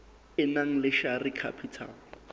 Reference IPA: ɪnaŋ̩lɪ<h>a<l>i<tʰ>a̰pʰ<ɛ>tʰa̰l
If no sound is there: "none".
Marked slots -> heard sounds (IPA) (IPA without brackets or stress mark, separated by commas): ʃ, r, kʰ, i